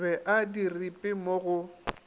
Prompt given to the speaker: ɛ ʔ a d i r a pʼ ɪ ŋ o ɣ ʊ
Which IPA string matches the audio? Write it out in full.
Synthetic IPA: ɛ ʔ a d i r i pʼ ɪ m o ɣ ʊ